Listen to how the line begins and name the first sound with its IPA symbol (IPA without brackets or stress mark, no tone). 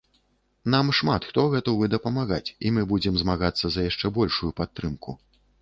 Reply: n̪